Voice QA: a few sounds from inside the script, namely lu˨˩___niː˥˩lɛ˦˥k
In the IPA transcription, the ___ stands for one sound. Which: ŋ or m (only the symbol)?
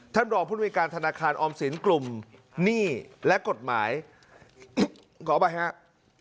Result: m